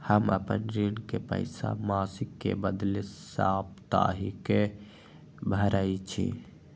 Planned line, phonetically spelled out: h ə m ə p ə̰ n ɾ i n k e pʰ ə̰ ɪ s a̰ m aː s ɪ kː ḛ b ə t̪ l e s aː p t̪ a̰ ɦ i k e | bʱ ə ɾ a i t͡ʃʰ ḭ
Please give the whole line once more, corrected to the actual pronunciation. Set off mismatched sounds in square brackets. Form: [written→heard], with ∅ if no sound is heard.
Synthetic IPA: h ə m ə p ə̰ n ɾ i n k e [pʰ→p] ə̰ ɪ s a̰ m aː s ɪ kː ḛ b ə [t̪→d̪] l e s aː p t̪ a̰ ɦ i k e | bʱ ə ɾ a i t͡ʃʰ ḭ

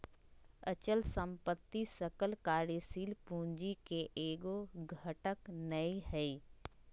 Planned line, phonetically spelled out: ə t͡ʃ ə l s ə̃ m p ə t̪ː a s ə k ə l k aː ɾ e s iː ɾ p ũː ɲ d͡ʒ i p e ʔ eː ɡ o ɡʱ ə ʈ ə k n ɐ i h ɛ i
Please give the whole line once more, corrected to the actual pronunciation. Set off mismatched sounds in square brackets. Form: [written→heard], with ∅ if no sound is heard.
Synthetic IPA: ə t͡ʃ ə l s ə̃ m p ə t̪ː [a→i] s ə k ə l k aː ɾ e s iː [ɾ→l] p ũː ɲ d͡ʒ i [p→k] e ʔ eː ɡ o ɡʱ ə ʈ ə k n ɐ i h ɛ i

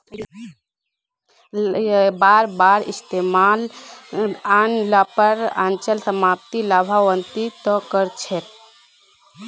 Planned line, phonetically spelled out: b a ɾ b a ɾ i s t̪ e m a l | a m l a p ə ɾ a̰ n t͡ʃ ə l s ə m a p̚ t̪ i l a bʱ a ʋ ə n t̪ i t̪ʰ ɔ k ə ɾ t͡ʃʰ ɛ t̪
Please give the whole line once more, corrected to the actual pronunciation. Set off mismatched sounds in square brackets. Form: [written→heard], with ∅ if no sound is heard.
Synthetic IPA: b a ɾ b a ɾ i s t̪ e m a l | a [m→n] l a p ə ɾ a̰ n t͡ʃ ə l s ə m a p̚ t̪ i l a bʱ a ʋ ə n t̪ i [t̪ʰ→t̪] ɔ k ə ɾ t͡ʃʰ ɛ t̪

